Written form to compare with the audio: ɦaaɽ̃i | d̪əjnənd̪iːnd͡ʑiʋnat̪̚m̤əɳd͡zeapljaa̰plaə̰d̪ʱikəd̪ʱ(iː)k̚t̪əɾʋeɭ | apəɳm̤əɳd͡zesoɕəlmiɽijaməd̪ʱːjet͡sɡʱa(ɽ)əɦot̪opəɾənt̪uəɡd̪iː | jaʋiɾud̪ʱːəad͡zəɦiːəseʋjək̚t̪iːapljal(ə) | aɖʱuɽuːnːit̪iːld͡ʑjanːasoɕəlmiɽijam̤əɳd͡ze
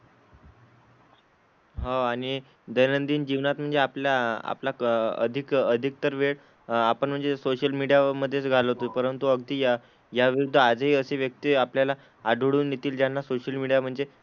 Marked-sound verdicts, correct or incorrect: incorrect, incorrect, incorrect

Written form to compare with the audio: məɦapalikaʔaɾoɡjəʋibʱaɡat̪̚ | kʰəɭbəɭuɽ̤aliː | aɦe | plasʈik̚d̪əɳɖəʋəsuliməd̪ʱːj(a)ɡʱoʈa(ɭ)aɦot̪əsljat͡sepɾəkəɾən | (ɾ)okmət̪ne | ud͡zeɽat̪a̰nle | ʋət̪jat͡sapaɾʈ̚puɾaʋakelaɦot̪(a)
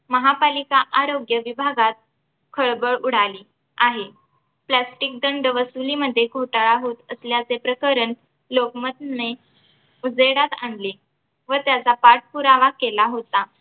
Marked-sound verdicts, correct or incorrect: incorrect, correct, incorrect, correct

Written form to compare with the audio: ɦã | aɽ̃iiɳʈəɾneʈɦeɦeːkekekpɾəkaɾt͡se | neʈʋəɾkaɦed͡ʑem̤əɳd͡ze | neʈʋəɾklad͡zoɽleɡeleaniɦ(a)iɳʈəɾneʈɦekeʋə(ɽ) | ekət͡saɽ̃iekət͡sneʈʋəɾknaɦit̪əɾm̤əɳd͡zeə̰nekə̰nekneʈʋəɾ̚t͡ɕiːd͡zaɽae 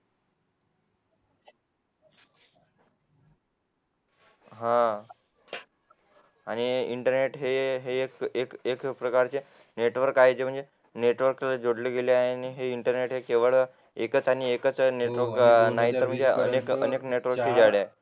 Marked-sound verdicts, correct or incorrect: incorrect, incorrect

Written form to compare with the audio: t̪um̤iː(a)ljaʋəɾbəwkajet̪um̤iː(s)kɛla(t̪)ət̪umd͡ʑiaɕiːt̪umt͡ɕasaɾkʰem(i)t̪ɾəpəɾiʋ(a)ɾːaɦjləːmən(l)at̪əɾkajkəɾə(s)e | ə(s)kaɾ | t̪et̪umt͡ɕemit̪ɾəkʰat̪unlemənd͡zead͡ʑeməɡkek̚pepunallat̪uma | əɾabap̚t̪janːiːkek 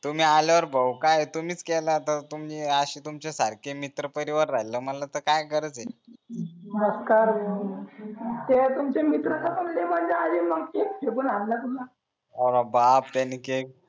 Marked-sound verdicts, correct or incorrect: correct, incorrect, correct, correct, incorrect, correct, incorrect, correct

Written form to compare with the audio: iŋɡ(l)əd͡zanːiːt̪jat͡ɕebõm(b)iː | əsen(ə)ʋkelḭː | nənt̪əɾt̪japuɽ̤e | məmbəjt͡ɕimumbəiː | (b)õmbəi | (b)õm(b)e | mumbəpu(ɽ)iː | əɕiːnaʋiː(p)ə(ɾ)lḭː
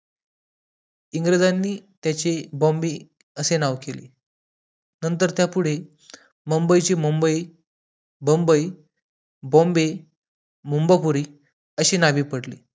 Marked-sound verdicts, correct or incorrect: incorrect, correct, incorrect, correct, correct, correct, incorrect, correct, incorrect

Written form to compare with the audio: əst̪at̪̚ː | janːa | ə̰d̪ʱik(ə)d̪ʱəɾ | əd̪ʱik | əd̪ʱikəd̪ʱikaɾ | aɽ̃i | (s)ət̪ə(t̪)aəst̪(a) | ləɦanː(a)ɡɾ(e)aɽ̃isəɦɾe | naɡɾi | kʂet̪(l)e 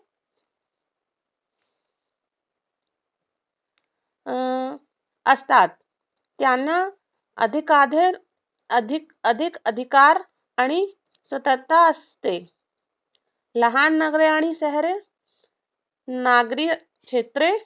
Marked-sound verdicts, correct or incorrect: incorrect, correct, correct, incorrect, incorrect, correct, incorrect

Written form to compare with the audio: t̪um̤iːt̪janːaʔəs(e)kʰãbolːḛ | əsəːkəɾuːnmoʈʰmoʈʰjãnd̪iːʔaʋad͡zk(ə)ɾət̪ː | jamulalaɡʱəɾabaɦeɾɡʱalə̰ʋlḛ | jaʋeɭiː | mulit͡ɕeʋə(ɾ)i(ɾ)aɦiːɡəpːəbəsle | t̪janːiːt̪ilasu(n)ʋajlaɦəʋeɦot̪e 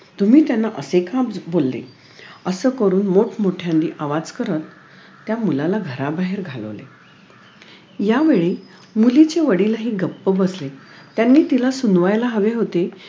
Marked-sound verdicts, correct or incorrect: correct, correct, incorrect, incorrect, correct

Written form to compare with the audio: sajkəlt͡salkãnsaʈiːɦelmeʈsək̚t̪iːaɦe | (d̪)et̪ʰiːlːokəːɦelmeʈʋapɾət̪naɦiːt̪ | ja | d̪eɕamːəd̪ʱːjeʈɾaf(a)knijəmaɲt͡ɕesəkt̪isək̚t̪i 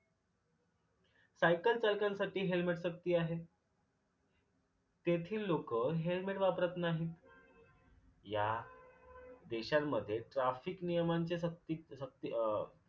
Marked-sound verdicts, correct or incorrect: incorrect, incorrect

